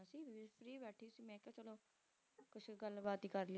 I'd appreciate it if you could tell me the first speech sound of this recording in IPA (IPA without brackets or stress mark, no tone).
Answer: s